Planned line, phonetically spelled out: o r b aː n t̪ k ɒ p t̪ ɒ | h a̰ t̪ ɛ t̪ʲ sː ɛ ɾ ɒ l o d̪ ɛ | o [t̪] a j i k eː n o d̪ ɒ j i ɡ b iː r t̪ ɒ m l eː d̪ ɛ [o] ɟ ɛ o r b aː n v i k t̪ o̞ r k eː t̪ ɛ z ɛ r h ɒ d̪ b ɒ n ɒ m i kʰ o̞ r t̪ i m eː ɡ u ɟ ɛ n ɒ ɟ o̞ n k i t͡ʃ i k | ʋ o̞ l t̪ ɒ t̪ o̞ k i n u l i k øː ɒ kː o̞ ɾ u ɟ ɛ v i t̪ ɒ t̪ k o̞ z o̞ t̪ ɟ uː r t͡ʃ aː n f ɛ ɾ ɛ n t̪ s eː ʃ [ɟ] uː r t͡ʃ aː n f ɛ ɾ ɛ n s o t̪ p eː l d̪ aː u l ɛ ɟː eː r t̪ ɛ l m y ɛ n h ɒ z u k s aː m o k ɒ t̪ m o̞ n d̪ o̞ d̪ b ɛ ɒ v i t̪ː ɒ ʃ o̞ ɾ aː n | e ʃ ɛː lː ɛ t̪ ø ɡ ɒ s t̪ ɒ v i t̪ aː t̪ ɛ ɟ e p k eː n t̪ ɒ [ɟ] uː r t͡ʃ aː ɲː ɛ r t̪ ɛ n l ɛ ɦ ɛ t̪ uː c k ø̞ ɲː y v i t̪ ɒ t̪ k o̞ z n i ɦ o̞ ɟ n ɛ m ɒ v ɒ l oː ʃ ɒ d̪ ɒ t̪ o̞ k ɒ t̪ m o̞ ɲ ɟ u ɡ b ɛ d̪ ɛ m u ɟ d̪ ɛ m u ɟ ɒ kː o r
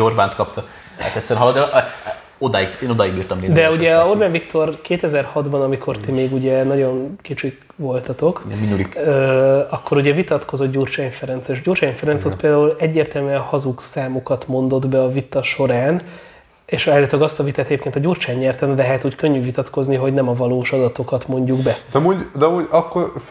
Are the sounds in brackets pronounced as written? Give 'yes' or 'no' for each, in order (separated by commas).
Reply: no, no, yes, yes